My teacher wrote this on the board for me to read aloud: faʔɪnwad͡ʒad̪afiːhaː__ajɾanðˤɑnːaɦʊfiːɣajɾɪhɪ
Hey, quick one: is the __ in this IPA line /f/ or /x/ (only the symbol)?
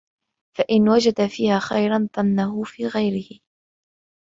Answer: x